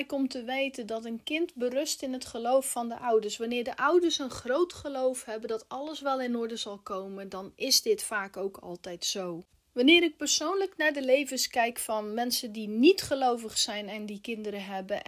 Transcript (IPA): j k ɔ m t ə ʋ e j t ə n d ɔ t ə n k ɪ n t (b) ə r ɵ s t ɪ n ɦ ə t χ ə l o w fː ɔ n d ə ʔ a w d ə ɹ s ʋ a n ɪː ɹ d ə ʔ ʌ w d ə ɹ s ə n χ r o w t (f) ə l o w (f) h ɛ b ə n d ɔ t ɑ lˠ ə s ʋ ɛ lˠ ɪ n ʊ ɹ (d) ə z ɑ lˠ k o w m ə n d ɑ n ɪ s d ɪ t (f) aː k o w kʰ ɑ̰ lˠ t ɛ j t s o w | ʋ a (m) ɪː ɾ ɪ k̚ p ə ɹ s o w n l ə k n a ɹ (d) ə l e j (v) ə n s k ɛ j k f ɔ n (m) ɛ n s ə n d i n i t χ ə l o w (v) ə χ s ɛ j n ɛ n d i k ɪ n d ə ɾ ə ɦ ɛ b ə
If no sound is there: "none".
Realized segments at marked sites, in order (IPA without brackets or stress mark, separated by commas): b, χ, f, d, f, n, d, v, m, v